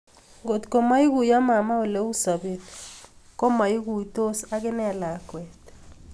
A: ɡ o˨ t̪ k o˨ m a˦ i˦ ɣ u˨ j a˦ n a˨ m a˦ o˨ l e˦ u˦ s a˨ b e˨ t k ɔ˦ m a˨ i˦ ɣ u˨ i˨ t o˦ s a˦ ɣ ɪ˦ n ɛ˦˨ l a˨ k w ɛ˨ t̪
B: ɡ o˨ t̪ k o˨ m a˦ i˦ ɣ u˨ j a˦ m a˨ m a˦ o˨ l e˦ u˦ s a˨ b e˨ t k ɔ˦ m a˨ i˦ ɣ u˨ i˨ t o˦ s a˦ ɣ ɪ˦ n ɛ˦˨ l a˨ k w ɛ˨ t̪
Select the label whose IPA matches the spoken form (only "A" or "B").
B